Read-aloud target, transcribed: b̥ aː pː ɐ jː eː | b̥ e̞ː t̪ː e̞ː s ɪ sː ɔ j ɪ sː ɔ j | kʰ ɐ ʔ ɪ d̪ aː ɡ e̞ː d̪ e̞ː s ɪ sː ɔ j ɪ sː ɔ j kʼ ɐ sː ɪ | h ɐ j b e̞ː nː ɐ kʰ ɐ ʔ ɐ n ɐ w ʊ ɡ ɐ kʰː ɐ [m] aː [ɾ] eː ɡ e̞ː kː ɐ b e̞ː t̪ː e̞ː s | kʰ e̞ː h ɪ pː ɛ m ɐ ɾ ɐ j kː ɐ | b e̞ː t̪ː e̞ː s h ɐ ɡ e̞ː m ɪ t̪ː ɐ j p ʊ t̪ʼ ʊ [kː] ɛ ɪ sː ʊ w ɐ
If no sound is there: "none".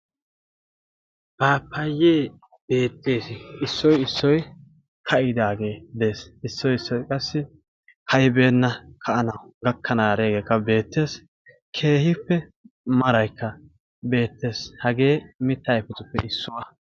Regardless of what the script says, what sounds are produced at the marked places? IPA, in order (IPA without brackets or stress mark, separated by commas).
n, ɾ, pː